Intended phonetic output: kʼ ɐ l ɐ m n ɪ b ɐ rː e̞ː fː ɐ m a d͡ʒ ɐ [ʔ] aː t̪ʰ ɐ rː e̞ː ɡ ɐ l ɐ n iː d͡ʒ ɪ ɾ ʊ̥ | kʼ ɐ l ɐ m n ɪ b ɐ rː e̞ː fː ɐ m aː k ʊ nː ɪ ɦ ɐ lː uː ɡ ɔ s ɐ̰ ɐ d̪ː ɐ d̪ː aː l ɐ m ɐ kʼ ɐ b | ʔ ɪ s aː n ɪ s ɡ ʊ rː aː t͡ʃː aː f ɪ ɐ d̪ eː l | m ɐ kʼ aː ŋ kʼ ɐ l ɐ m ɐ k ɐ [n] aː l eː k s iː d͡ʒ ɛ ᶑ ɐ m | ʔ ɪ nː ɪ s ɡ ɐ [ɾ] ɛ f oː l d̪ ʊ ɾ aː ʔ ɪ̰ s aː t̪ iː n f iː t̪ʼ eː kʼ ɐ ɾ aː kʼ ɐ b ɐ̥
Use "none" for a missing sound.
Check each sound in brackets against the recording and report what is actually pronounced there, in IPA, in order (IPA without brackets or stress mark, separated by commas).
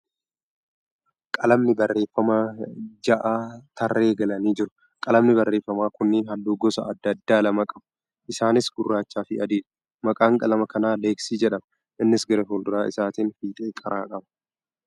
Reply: ʔ, n, ɾ